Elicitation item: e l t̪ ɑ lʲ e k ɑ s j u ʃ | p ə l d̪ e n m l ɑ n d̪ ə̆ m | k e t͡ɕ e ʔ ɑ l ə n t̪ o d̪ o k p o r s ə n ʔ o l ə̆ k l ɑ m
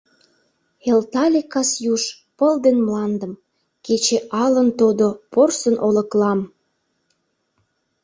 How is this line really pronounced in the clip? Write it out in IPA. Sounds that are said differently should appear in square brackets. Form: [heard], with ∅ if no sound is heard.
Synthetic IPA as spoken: e l t̪ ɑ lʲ e k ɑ s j u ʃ | p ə l d̪ e n m l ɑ n d̪ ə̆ m | k e t͡ɕ e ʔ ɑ l ə n t̪ o d̪ o [∅] p o r s ə n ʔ o l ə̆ k l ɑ m